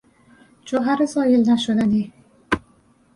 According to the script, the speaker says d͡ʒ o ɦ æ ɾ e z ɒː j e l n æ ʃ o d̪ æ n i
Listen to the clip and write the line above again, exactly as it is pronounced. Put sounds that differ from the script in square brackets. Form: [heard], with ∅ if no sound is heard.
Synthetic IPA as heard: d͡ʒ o ɦ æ ɾ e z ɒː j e l n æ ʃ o d̪ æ n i